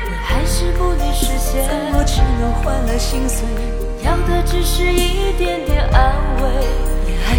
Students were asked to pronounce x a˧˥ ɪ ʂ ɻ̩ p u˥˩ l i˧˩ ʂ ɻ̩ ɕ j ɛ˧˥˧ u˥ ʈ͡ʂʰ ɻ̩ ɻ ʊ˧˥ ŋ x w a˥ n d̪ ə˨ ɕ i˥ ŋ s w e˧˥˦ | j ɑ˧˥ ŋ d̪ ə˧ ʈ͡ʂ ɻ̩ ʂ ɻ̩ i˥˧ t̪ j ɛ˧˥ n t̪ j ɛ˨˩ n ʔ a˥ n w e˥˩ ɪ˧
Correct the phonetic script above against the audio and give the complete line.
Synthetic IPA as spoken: x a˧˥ ɪ ʂ ɻ̩ p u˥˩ l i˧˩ ʂ ɻ̩ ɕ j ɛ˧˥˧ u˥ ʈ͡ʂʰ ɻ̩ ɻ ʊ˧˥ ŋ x w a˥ n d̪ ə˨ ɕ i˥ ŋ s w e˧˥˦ | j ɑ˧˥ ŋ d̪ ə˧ ʈ͡ʂ ɻ̩ ʂ ɻ̩ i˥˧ t̪ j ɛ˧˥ n t̪ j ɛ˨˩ n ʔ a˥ n w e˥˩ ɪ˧